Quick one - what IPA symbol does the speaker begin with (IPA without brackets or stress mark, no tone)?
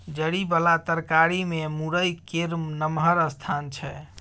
d͡ʒ